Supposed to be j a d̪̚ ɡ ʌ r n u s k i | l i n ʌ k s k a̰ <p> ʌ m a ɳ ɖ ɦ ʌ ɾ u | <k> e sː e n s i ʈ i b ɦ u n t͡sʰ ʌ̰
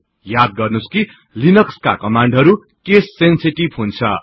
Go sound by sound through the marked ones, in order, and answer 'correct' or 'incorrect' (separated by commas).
incorrect, correct